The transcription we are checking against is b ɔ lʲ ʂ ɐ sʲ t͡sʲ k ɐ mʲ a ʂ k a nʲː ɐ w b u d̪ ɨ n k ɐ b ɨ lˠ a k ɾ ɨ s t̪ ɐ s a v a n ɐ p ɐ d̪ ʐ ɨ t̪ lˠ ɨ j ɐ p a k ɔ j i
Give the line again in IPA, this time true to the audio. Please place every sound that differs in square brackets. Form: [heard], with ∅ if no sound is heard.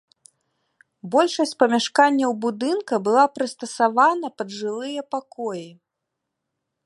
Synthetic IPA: b ɔ lʲ ʂ ɐ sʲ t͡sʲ [p] ɐ mʲ a ʂ k a nʲː ɐ w b u d̪ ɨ n k ɐ b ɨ lˠ a [p] ɾ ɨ s t̪ ɐ s a v a n ɐ p ɐ d̪ ʐ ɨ [∅] lˠ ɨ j ɐ p a k ɔ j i